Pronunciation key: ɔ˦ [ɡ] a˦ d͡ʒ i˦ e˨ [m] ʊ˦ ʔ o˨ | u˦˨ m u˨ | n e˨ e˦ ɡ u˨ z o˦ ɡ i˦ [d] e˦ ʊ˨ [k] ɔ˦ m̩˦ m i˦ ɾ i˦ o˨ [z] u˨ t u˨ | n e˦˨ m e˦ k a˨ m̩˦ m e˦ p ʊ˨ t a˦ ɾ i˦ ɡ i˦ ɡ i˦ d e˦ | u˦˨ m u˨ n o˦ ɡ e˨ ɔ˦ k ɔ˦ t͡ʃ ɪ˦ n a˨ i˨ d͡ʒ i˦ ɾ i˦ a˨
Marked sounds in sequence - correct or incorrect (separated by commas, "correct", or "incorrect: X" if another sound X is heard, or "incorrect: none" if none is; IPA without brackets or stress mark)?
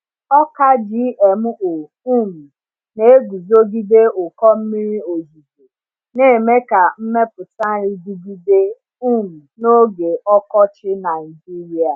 incorrect: k, correct, correct, correct, correct